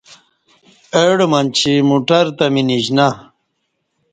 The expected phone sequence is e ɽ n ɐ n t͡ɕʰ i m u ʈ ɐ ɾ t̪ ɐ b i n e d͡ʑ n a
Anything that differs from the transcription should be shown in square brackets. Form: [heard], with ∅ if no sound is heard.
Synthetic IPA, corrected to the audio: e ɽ [m] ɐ n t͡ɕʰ i m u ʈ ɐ ɾ t̪ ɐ [m] i n [i] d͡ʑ n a